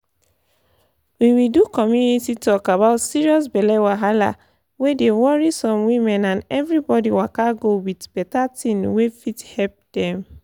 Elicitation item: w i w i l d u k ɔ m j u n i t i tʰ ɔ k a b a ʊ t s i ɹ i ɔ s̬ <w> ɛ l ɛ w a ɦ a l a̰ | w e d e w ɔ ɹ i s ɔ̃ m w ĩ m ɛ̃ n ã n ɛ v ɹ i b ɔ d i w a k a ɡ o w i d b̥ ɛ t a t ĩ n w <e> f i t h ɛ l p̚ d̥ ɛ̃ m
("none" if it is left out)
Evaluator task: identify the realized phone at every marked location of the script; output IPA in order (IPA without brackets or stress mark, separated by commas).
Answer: b, e